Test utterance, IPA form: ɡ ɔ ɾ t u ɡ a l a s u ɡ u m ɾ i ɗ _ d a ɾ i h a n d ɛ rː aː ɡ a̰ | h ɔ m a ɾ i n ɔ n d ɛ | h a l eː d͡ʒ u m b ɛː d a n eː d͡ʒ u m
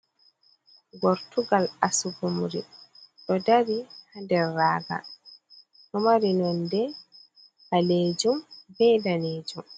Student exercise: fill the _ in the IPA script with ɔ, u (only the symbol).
ɔ